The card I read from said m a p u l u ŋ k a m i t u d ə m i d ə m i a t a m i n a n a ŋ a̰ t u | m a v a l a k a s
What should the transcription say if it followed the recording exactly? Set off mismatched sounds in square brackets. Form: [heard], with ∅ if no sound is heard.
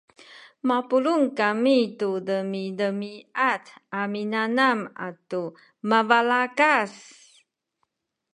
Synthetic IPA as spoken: m a p u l u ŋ k a m i t u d ə m i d ə m i a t a m i n a n a [m] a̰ t u | m a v a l a k a s